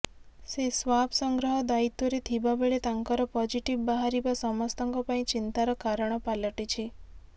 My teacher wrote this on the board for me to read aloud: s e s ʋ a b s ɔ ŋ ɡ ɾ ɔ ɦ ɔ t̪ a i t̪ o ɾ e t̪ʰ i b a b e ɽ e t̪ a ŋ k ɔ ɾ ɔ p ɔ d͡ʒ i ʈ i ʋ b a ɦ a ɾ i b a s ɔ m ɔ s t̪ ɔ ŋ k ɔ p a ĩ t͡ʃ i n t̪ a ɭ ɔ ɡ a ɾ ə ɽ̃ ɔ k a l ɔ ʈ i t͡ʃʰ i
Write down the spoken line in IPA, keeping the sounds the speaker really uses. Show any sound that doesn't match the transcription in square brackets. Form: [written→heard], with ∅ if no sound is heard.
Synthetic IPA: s e s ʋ a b s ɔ ŋ ɡ ɾ ɔ ɦ ɔ [t̪→d̪] a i t̪ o ɾ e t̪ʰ i b a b e [ɽ→ɭ] e t̪ a ŋ k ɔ ɾ ɔ p ɔ d͡ʒ i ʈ i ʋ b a ɦ a ɾ i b a s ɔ m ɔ s t̪ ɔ ŋ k ɔ p a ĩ t͡ʃ i n t̪ a [ɭ→ɾ] ɔ [ɡ→k] a ɾ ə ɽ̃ ɔ [k→p] a l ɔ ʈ i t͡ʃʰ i